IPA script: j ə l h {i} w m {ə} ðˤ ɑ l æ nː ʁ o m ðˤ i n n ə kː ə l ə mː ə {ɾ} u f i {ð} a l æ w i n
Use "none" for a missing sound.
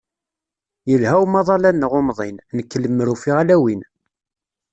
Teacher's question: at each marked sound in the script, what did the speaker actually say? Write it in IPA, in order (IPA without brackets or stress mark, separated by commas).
æ, ɑ, ɾ, ʁ